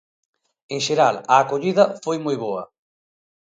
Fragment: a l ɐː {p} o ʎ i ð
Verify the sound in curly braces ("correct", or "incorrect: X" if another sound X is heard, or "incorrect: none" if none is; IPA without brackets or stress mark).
incorrect: k